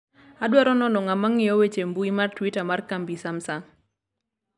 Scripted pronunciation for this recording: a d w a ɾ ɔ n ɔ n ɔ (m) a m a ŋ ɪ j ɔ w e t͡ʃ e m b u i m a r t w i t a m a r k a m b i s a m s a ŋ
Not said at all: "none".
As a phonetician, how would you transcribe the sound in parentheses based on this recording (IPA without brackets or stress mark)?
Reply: ŋ